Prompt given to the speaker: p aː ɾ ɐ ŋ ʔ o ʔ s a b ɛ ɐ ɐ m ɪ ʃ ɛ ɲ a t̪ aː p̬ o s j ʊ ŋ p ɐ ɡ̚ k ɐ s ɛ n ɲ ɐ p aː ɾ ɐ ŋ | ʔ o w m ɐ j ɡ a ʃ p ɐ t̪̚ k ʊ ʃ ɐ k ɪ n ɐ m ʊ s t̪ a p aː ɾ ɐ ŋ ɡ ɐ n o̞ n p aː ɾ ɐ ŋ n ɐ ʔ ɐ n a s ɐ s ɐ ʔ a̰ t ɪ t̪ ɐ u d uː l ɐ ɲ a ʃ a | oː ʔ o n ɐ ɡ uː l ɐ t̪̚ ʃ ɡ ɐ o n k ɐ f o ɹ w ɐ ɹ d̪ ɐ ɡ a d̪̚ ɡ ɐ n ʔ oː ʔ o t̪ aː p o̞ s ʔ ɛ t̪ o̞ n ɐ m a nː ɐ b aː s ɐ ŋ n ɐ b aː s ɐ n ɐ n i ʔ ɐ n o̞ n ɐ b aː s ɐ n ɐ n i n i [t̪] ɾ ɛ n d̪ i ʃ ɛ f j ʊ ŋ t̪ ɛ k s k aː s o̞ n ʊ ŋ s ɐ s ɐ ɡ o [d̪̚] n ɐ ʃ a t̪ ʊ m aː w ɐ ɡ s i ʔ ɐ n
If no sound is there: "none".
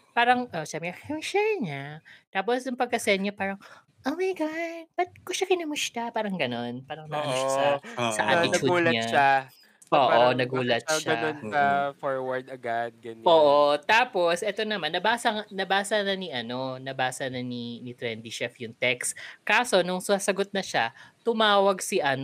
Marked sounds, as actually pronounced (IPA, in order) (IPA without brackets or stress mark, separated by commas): t̪, t̪̚